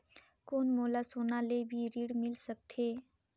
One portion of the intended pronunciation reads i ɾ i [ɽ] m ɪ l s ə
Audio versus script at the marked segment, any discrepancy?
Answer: no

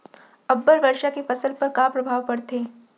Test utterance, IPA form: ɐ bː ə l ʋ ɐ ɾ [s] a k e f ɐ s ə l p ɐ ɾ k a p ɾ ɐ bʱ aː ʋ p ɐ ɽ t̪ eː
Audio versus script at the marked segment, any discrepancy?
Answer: yes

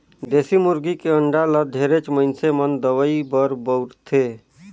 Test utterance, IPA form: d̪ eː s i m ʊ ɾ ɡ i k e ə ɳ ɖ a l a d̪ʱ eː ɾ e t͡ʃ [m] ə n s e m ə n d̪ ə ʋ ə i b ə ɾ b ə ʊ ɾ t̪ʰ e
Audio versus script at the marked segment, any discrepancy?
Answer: no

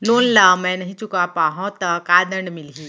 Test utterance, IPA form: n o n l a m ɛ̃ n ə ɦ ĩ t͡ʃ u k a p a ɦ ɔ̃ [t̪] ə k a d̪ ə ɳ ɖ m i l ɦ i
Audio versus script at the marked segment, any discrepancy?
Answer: no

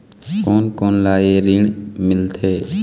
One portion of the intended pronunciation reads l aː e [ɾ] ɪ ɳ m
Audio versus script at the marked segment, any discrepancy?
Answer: no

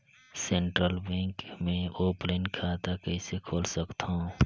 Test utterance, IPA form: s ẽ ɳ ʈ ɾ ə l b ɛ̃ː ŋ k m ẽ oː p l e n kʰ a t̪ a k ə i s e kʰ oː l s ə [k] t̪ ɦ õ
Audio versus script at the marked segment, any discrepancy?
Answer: no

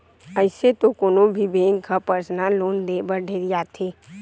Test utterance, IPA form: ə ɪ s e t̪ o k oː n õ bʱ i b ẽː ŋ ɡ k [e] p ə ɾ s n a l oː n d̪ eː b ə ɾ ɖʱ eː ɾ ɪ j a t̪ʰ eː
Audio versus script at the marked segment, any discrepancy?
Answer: yes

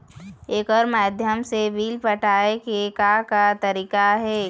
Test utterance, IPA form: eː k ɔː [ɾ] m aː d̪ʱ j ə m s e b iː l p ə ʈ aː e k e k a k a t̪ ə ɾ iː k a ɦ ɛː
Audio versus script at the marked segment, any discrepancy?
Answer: no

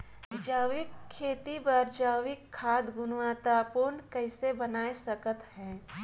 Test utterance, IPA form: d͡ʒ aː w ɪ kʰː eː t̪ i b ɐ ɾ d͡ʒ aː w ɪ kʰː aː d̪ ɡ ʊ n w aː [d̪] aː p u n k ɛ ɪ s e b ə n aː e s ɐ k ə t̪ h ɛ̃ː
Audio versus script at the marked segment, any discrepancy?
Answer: yes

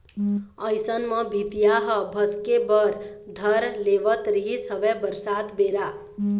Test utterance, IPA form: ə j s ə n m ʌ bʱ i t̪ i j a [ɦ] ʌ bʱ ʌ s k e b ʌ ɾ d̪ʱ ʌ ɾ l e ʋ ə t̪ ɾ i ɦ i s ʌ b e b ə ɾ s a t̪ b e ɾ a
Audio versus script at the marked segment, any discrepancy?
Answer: no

